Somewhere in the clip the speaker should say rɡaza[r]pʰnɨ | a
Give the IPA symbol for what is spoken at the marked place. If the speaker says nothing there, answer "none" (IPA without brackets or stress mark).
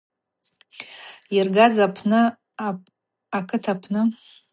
none